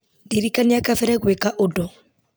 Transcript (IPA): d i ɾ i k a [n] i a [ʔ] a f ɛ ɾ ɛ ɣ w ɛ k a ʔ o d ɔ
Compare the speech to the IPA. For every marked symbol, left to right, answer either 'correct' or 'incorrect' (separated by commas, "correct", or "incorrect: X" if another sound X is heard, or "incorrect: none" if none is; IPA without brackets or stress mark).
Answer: correct, incorrect: k